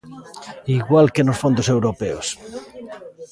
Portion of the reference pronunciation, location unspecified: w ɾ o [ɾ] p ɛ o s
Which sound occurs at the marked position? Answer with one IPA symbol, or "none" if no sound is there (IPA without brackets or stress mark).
none